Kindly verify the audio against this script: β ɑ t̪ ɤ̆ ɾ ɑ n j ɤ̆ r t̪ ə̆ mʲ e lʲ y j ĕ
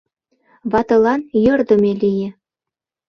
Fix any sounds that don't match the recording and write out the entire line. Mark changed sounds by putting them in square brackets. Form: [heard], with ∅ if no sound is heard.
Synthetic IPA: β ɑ t̪ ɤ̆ [l] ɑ n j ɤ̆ r [d̪] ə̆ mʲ e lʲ [i] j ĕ